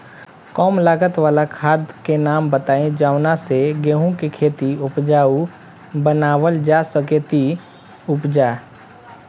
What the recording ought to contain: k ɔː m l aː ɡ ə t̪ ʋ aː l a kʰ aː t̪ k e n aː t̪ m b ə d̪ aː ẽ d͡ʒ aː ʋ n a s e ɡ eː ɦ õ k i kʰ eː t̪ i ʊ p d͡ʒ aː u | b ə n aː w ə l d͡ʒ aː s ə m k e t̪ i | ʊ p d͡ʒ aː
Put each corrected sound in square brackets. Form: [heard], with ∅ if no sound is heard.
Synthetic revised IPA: k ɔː m l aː ɡ ə t̪ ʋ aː l a kʰ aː [d̪] k e n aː [∅] m b ə [t̪] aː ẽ d͡ʒ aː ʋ n a s e ɡ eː ɦ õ k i kʰ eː t̪ i ʊ p d͡ʒ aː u | b ə n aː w ə l d͡ʒ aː s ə [∅] k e t̪ i | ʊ p d͡ʒ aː